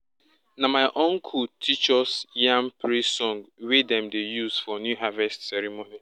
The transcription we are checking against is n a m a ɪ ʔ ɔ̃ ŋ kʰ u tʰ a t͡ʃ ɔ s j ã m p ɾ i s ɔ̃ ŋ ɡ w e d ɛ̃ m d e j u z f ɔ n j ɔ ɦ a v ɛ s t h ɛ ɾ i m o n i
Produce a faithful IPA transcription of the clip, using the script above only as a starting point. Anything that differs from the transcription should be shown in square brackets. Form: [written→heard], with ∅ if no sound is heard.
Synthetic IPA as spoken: n a m a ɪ ʔ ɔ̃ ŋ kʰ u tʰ [a→i] t͡ʃ ɔ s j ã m p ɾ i s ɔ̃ ŋ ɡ w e d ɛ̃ m d e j u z f ɔ n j [ɔ→u] ɦ a v ɛ s t [h→s] ɛ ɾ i m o n i